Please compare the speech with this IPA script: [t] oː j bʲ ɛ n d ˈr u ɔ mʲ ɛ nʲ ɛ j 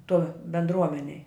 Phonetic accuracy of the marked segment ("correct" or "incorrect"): correct